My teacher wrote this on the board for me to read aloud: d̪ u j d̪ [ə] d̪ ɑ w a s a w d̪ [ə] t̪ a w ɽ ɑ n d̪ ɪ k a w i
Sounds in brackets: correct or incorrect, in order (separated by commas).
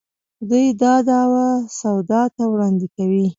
incorrect, incorrect